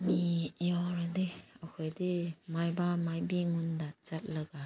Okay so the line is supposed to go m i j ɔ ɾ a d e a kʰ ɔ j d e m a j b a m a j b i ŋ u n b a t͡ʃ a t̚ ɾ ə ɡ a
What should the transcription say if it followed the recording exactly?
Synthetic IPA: m i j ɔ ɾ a d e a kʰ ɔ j d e m a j b a m a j b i ŋ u n d a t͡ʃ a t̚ l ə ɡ a

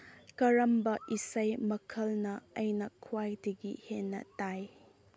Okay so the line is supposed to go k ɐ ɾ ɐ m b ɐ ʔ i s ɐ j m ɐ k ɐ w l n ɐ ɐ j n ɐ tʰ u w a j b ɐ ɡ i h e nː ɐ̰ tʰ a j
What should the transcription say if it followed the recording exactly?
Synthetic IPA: k ɐ ɾ ɐ m b ɐ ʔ i s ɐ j m ɐ kʰ ɐ l n ɐ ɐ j n ɐ kʰ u w a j d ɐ ɡ i h e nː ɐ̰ t a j

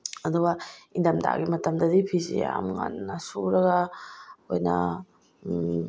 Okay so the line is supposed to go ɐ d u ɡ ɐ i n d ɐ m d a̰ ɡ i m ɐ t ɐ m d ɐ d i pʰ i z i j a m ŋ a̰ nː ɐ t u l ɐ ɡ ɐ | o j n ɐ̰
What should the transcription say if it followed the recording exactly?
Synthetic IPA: ɐ d u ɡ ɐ i n d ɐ m d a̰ ɡ i m ɐ t ɐ m d ɐ d i pʰ i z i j a m ŋ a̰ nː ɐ s u ɾ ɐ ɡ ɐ | o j n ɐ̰

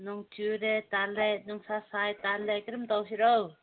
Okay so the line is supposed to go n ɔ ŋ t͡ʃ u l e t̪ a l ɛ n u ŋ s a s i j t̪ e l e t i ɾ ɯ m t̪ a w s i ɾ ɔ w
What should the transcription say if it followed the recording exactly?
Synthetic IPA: n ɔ ŋ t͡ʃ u ɾ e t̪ a l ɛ n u ŋ s a s a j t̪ a l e k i ɾ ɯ m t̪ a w s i ɾ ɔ w

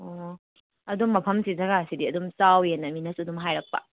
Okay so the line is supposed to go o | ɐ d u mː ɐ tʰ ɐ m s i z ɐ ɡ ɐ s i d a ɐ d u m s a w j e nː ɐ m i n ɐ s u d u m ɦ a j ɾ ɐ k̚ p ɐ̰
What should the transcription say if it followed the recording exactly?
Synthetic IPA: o | ɐ d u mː ɐ pʰ ɐ m s i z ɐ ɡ a s i d i ɐ d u m s a w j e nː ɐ m i n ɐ s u d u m ɦ a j ɾ ɐ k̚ p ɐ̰

